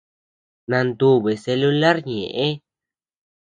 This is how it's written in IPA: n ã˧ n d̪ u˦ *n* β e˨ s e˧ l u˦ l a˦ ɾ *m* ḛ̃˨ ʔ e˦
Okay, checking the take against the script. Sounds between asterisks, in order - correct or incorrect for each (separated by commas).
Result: incorrect, incorrect